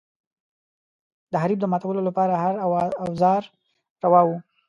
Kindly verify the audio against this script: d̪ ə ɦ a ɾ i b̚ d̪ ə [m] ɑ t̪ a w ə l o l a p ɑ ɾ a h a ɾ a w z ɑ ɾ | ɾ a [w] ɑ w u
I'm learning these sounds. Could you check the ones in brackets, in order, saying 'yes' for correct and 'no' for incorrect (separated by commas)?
yes, yes